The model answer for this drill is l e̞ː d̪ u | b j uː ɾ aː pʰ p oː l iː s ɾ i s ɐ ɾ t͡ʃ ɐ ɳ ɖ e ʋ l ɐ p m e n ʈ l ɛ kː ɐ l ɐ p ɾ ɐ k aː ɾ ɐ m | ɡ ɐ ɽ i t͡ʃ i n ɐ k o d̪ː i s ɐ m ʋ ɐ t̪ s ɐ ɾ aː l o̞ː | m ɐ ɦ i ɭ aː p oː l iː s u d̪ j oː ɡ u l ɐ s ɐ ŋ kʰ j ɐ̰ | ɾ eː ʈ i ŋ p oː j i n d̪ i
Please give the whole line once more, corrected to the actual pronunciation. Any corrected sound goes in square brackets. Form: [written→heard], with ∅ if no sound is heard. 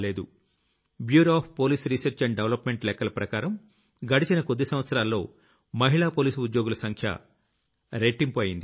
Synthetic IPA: l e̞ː d̪ u | b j uː ɾ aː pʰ p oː l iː s ɾ i s ɐ ɾ t͡ʃ ɐ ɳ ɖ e ʋ l ɐ p m e [n→ɳ] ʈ l ɛ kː ɐ l ɐ p ɾ ɐ k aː ɾ ɐ m | ɡ ɐ ɽ i t͡ʃ i n ɐ k o d̪ː i s ɐ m ʋ ɐ t̪ s ɐ ɾ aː [l→lː] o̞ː | m ɐ ɦ i ɭ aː p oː l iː s u d̪ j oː ɡ u l ɐ s ɐ ŋ kʰ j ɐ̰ | ɾ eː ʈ i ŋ p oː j i n d̪ i

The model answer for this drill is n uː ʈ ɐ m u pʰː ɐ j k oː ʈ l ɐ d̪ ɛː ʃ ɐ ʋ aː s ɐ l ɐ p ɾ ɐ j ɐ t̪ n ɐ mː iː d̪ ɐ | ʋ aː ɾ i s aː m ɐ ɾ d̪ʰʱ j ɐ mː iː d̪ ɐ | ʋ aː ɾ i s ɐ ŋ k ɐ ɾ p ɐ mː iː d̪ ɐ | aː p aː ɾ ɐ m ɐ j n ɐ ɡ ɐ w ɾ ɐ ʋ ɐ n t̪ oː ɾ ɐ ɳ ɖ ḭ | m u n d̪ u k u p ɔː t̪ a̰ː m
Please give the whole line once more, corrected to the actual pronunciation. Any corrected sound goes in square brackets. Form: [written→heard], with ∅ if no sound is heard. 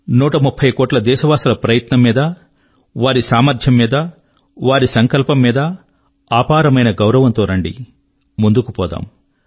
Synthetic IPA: n uː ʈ ɐ m u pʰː ɐ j k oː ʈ l ɐ d̪ ɛː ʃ ɐ ʋ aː s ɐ l ɐ p ɾ ɐ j ɐ t̪ n ɐ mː iː d̪ ɐ | ʋ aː ɾ i s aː m ɐ ɾ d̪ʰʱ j ɐ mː iː d̪ ɐ | ʋ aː ɾ i s ɐ ŋ k ɐ [ɾ→l] p ɐ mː iː d̪ ɐ | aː p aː ɾ ɐ m ɐ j n ɐ ɡ ɐ w ɾ ɐ ʋ ɐ n t̪ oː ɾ ɐ ɳ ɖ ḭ | m u n d̪ u k u p ɔː [t̪→d̪] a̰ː m

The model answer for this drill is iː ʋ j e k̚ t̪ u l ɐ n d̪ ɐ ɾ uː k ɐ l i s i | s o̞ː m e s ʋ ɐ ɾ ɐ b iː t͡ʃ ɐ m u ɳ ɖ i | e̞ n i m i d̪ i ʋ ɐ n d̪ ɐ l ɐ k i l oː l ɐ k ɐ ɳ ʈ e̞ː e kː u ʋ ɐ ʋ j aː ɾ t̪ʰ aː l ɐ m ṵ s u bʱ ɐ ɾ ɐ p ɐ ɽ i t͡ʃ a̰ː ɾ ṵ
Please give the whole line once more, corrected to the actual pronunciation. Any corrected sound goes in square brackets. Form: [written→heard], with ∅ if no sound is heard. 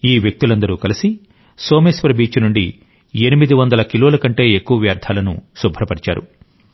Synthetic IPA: iː ʋ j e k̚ t̪ u l ɐ n d̪ ɐ ɾ uː k ɐ l i s i | s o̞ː m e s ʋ ɐ ɾ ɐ b iː t͡ʃ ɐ [m→n] u ɳ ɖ i | e̞ n i m i d̪ i ʋ ɐ n d̪ ɐ l ɐ k i l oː l ɐ k ɐ ɳ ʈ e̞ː e kː u ʋ ɐ ʋ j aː ɾ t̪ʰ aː l ɐ [m→n] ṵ s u bʱ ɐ ɾ ɐ p ɐ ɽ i t͡ʃ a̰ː ɾ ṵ

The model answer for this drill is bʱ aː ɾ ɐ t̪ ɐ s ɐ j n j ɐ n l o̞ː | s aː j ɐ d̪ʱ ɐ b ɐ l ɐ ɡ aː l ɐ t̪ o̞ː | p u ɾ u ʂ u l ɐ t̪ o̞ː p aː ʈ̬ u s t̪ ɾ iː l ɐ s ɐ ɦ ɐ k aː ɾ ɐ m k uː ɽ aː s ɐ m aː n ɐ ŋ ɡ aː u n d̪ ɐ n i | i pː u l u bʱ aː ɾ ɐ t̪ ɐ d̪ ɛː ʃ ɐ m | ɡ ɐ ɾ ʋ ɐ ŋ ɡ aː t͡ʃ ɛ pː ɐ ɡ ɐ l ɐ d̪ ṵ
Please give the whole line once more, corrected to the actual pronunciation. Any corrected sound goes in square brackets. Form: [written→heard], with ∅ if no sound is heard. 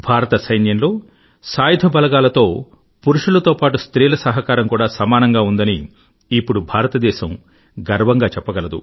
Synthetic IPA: bʱ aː ɾ ɐ t̪ ɐ s ɐ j n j ɐ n l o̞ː | s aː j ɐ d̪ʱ ɐ b ɐ l ɐ ɡ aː l ɐ t̪ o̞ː | p u ɾ u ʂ u l ɐ t̪ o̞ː p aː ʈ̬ u s t̪ ɾ iː l ɐ s ɐ ɦ ɐ k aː ɾ ɐ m k uː ɽ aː s ɐ m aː n ɐ ŋ ɡ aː u n d̪ ɐ n i | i pː u [l→ɽ] u bʱ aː ɾ ɐ t̪ ɐ d̪ ɛː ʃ ɐ m | ɡ ɐ ɾ ʋ ɐ ŋ ɡ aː t͡ʃ ɛ pː ɐ ɡ ɐ l ɐ d̪ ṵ

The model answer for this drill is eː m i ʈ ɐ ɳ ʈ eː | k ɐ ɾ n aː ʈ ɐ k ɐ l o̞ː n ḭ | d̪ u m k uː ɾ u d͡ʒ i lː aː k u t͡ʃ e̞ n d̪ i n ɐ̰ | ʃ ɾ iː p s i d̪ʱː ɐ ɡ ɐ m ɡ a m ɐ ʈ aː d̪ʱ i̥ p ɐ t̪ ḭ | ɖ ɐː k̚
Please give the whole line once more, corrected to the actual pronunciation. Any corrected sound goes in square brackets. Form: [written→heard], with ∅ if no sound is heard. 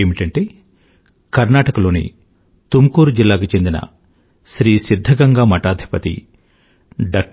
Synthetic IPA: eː m i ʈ ɐ ɳ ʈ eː | k ɐ ɾ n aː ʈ ɐ k ɐ l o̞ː n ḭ | [d̪→t̪] u m k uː ɾ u d͡ʒ i lː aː k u t͡ʃ e̞ n d̪ i n ɐ̰ | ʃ ɾ iː [p→∅] s i d̪ʱː ɐ ɡ ɐ [m→ŋ] ɡ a m ɐ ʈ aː d̪ʱ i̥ p ɐ t̪ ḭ | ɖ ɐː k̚

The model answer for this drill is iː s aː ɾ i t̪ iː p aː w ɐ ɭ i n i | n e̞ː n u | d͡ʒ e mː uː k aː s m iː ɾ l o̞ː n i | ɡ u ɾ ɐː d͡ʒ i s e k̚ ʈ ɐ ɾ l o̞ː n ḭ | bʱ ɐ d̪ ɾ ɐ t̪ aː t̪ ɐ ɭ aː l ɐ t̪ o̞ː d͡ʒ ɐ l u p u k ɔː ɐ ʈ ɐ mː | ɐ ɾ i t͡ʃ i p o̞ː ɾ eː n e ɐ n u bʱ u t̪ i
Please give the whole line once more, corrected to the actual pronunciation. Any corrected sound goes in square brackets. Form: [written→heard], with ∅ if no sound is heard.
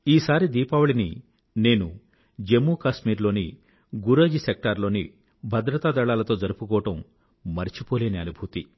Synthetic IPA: iː s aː ɾ i [t̪→d̪] iː p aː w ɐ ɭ i n i | n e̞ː n u | d͡ʒ e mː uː k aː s m iː ɾ l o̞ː n i | ɡ u ɾ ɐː d͡ʒ i s e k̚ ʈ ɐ ɾ l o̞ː n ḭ | bʱ ɐ d̪ ɾ ɐ t̪ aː [t̪→d̪] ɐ ɭ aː l ɐ t̪ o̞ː d͡ʒ ɐ [l→ɾ] u p u k ɔː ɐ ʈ ɐ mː | ɐ ɾ i t͡ʃ i p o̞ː [ɾ→l] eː n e ɐ n u bʱ u t̪ i

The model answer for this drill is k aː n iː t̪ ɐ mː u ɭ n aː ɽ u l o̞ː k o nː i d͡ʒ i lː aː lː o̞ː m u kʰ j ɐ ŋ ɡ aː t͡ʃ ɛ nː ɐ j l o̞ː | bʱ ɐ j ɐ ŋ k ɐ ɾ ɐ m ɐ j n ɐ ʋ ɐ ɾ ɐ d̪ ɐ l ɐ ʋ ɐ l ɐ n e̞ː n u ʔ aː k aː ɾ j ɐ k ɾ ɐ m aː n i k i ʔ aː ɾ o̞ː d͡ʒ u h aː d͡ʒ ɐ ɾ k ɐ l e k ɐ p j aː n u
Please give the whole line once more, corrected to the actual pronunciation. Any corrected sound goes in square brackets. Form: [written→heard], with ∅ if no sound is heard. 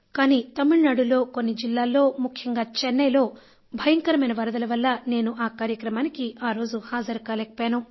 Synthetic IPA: k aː n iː t̪ ɐ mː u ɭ n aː ɽ u l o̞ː k o nː i d͡ʒ i lː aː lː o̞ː m u kʰ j ɐ ŋ ɡ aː t͡ʃ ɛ nː ɐ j l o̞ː | bʱ ɐ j ɐ ŋ k ɐ ɾ ɐ m ɐ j n ɐ ʋ ɐ ɾ ɐ d̪ ɐ l ɐ ʋ ɐ [l→lː] ɐ n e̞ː n u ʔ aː k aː ɾ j ɐ k ɾ ɐ m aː n i k i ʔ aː ɾ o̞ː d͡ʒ u h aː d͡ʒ ɐ ɾ k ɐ l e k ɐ p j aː n u

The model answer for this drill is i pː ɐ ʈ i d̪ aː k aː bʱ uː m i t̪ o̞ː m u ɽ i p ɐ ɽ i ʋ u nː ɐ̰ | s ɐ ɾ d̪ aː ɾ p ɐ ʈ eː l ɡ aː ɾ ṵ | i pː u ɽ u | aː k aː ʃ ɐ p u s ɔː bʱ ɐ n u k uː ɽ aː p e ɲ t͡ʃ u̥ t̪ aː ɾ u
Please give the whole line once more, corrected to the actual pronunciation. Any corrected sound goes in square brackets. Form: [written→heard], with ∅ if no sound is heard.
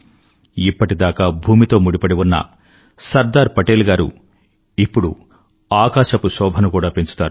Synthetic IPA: i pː ɐ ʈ i d̪ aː k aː bʱ uː m i t̪ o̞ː m u ɽ i p ɐ ɽ i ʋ u nː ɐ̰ | s ɐ ɾ d̪ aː ɾ p ɐ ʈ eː l ɡ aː ɾ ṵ | i pː u ɽ u | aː k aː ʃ ɐ p u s ɔː bʱ ɐ n u k uː ɽ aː p e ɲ t͡ʃ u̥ t̪ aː ɾ u

